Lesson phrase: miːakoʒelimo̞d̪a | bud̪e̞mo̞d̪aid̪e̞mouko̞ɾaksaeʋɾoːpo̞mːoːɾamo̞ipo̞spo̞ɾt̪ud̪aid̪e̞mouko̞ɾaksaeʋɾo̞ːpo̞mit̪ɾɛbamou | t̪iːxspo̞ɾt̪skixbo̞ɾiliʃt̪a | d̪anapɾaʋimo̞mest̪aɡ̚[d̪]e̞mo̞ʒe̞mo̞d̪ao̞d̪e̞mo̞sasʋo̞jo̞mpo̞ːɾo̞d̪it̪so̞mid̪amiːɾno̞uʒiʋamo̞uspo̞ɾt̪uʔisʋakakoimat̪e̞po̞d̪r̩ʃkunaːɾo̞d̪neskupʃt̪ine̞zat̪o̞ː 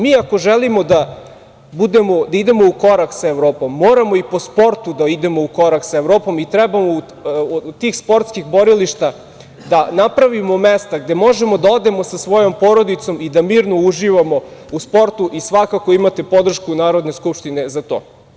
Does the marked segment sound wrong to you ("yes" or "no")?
no